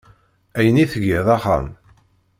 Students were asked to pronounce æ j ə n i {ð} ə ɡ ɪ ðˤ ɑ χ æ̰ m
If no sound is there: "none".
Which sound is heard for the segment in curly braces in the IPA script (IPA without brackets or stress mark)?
θ